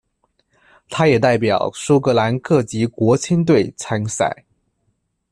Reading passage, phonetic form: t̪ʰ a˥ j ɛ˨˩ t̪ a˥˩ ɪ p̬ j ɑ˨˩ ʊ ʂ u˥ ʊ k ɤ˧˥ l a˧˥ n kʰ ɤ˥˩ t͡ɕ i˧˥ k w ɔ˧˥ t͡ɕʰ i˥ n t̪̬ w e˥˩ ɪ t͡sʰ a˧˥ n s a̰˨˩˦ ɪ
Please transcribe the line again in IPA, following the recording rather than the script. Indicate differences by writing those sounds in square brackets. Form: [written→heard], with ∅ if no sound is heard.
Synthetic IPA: t̪ʰ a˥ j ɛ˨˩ t̪ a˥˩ ɪ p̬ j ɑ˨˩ ʊ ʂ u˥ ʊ k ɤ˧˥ l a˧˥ n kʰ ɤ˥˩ t͡ɕ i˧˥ k w ɔ˧˥ t͡ɕʰ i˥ n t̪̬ w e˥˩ ɪ t͡sʰ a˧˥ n s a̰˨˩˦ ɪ